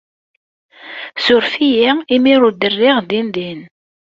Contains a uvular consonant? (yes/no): yes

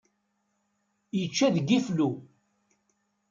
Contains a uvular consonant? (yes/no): no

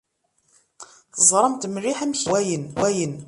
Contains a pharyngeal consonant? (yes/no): yes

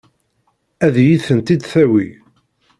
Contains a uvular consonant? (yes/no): no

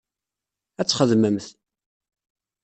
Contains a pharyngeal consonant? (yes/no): no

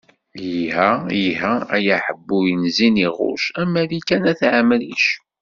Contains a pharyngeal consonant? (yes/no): yes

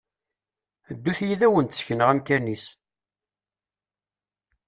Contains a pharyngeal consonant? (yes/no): no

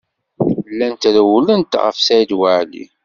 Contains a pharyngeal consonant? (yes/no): yes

